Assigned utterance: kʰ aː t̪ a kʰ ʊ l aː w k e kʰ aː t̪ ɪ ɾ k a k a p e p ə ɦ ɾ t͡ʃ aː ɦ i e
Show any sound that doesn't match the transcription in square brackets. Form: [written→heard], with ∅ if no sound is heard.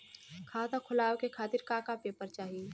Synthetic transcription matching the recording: kʰ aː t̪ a kʰ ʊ l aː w k e kʰ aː t̪ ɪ ɾ k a k a p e p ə [ɦ→∅] ɾ t͡ʃ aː ɦ i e